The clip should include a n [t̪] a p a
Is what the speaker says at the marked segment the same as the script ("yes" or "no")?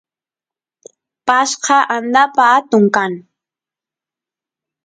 no